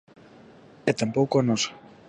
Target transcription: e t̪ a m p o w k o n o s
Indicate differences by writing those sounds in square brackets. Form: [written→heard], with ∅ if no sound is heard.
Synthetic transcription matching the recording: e t̪ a m p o w k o n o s